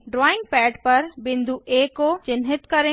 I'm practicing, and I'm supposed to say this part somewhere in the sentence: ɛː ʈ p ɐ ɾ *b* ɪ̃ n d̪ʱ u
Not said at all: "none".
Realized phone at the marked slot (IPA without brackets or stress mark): b